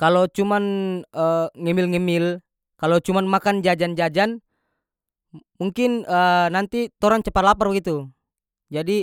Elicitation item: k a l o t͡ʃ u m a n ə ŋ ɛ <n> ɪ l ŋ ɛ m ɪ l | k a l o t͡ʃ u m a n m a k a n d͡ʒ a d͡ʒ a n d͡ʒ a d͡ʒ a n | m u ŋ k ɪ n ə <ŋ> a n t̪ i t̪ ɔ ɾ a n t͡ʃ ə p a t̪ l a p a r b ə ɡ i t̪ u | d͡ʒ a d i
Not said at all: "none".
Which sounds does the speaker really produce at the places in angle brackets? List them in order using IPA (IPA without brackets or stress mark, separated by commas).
m, n